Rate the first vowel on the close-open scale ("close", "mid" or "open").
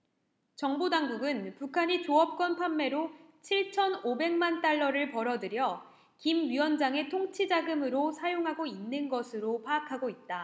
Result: mid